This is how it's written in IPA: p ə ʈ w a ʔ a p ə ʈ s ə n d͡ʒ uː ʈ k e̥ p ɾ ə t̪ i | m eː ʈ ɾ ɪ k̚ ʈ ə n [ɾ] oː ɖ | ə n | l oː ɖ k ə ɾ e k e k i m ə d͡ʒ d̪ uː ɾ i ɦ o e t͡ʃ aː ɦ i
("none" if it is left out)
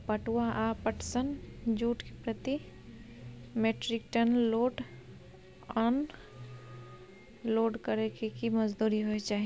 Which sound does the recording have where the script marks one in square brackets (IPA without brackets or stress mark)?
l